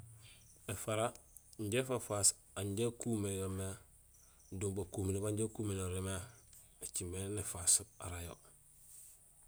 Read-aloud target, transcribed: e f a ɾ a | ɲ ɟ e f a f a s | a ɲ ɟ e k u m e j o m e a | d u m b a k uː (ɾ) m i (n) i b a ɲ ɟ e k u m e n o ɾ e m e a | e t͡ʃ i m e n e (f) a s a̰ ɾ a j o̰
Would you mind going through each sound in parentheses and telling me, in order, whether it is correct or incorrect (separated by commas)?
incorrect, correct, correct